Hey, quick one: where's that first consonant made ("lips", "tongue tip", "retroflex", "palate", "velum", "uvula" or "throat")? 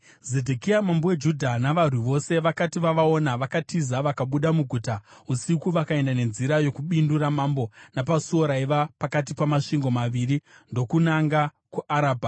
tongue tip